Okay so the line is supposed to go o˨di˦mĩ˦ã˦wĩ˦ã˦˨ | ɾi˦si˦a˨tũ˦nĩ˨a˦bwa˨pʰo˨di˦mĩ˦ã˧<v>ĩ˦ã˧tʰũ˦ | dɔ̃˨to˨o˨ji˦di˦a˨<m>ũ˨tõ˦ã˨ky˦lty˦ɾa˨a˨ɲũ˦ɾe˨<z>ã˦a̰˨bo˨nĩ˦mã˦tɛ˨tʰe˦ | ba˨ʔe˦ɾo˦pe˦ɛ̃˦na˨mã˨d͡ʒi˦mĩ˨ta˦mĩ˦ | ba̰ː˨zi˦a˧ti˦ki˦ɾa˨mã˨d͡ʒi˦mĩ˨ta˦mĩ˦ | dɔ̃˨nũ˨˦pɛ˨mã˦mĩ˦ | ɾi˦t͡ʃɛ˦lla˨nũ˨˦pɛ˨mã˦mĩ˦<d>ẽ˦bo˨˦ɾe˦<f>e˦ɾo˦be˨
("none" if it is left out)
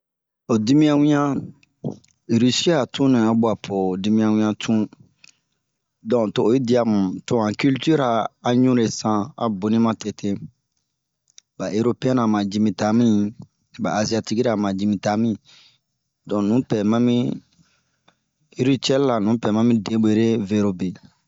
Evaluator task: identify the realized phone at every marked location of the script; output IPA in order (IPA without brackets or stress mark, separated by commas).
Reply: w, m, s, d, v